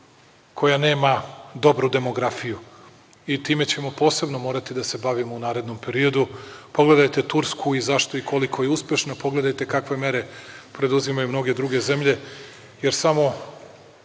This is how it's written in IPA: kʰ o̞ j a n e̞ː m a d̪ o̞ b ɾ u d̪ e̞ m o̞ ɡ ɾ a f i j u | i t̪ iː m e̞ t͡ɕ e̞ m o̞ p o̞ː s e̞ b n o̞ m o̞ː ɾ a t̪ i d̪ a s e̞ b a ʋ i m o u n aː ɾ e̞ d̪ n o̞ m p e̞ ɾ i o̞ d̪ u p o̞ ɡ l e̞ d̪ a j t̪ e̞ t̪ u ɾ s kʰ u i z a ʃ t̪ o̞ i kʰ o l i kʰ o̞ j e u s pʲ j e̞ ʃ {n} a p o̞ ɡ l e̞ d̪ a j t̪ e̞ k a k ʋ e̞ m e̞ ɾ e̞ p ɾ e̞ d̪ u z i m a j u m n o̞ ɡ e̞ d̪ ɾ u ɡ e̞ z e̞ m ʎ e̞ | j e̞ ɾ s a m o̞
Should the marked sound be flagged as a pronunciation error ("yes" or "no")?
no